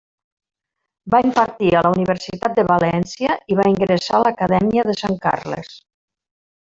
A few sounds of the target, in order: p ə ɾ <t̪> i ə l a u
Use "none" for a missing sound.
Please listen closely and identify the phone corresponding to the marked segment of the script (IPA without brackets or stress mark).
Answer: t̪